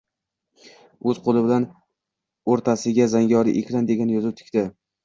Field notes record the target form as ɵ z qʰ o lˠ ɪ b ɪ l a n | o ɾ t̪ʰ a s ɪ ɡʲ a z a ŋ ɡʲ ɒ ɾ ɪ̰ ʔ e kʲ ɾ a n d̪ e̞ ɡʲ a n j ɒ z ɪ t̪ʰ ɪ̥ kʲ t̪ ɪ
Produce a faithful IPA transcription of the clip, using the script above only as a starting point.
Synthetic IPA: ɵ z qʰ o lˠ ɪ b ɪ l a n | o ɾ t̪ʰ a s ɪ ɡʲ a z a ŋ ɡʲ ɒ ɾ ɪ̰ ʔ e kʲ ɾ a n d̪ e̞ ɡʲ a n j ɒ z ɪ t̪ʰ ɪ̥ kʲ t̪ ɪ